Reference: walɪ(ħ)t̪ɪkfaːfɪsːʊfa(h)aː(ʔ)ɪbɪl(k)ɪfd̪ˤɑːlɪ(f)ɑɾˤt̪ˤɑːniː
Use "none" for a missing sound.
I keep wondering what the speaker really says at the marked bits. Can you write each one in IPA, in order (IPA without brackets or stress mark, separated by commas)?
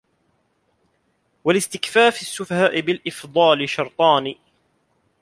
s, h, ʔ, ʔ, ʃ